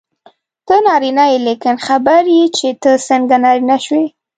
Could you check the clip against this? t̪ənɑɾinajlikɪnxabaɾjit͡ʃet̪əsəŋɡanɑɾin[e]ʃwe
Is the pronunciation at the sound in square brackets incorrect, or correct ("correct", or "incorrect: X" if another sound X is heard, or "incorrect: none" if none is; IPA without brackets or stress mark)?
incorrect: a